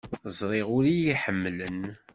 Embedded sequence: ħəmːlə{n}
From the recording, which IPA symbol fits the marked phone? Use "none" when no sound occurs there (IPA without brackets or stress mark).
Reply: n